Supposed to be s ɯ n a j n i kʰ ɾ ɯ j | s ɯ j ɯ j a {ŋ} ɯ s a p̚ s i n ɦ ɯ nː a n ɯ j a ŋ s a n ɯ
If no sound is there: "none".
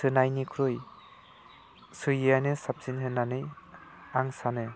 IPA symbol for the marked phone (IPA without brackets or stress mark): n